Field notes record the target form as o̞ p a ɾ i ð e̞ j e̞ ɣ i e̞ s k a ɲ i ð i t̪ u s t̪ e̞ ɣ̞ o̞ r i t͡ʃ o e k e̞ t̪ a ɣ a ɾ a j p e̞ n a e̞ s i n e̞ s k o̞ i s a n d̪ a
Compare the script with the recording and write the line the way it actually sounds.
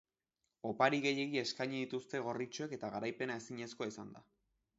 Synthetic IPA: o̞ p a ɾ i ɣ e̞ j e̞ ɣ i e̞ s k a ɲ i ð i t̪ u s t̪ e̞ ɣ̞ o̞ r i t͡ʃ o e k e̞ t̪ a ɣ a ɾ a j p e̞ n a e̞ s i ɲ e̞ s k o̞ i s a n d̪ a